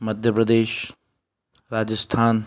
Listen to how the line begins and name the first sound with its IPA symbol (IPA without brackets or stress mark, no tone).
m